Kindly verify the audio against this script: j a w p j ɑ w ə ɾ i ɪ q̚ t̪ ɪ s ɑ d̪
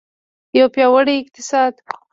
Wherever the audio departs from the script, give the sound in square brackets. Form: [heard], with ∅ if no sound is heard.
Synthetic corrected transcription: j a w p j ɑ w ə [ɽ] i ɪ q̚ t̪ ɪ s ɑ d̪